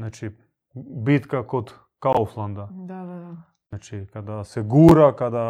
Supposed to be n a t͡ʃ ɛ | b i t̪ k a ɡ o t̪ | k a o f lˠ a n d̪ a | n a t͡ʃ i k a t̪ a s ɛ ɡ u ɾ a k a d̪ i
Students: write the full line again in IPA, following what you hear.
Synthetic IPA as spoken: n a t͡ʃ i | b i t̪ k a k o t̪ | k a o f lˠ a n d̪ a | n a t͡ʃ i k a d̪ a s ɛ ɡ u ɾ a k a d̪ a